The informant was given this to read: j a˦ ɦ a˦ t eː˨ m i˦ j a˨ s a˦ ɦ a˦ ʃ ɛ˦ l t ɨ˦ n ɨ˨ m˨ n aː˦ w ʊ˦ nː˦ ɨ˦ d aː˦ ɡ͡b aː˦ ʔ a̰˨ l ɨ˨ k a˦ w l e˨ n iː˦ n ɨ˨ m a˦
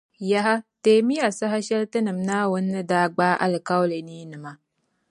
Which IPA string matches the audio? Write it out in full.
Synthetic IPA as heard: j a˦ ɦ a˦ t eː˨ m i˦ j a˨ s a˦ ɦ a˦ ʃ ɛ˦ l t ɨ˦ n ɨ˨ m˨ n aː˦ w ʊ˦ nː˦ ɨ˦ d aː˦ ɡ͡b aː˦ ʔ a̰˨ l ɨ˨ k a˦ w l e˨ n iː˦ n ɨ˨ m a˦